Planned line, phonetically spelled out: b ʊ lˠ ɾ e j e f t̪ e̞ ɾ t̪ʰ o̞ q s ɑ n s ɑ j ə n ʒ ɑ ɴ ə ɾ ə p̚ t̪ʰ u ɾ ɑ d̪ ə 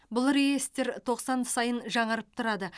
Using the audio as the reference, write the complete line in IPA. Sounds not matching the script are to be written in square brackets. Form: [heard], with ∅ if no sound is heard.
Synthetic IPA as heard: b ʊ lˠ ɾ e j e [s] t̪ e̞ ɾ t̪ʰ o̞ q s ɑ n s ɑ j ə n ʒ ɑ ɴ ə ɾ ə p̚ t̪ʰ [ʊ] ɾ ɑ d̪ ə